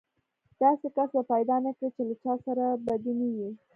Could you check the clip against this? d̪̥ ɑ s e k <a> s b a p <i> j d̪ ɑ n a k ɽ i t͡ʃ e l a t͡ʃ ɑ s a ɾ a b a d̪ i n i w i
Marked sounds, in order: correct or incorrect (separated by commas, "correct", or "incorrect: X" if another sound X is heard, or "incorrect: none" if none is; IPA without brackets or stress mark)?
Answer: correct, incorrect: a